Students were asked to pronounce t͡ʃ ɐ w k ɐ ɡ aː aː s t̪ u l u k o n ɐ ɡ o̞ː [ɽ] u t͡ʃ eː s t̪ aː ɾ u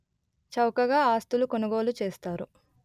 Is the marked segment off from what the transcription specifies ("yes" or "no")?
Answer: yes